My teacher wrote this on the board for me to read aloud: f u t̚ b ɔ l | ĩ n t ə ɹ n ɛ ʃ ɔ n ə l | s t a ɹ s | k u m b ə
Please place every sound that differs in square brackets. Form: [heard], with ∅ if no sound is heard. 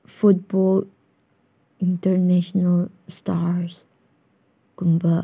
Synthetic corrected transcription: f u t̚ b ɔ l | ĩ n t ə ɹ n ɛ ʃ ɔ n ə l | s t a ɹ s | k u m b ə